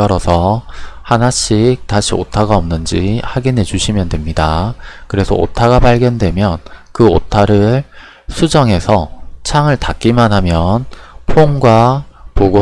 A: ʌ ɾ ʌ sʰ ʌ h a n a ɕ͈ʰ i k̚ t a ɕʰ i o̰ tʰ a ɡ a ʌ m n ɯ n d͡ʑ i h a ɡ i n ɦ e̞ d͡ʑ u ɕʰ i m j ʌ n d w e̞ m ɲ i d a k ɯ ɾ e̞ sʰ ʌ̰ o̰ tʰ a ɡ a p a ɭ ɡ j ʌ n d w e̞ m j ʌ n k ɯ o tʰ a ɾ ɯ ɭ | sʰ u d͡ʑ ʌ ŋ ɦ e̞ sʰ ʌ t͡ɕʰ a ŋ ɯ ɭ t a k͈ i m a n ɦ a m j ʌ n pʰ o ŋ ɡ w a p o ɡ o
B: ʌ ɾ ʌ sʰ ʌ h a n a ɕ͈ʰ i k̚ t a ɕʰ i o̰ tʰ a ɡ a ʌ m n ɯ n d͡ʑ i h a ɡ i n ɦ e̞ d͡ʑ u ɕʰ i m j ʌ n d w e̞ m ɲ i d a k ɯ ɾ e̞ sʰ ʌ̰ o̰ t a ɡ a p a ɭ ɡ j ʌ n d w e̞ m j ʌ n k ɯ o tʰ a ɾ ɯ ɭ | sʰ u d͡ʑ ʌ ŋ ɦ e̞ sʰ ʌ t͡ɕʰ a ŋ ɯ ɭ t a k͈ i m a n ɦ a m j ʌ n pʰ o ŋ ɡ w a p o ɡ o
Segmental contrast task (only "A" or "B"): A